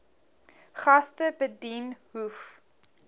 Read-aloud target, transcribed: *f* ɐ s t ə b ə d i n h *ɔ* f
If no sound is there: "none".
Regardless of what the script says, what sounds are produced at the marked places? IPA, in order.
χ, u

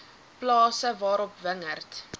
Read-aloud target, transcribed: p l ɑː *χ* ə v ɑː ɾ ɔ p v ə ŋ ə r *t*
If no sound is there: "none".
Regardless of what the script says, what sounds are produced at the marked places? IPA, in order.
s, t

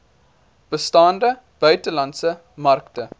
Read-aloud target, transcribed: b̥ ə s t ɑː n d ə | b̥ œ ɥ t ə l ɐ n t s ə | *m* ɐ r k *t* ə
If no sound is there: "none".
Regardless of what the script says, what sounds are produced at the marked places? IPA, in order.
m, t

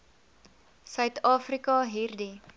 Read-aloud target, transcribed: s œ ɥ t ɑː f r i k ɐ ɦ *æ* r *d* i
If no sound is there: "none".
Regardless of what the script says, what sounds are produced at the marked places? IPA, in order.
i, d

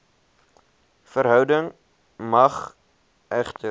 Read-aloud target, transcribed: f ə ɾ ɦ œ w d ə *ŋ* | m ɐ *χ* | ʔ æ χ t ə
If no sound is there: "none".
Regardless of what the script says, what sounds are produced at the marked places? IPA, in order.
ŋ, χ

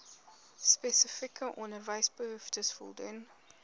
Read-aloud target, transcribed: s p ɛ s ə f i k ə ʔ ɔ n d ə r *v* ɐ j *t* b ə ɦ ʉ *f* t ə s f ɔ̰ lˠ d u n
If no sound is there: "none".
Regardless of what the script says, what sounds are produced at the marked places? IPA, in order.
v, s, f

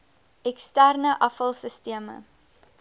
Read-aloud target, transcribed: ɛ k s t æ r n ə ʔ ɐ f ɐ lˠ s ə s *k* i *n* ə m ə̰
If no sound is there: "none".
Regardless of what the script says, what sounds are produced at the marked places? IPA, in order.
t, none

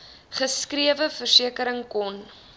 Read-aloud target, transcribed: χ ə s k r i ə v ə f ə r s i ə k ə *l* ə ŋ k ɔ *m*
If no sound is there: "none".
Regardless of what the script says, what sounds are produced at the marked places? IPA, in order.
ɾ, n

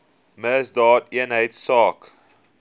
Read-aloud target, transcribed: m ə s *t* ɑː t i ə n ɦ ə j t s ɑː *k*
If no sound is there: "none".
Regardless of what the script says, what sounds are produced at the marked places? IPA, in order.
d, k

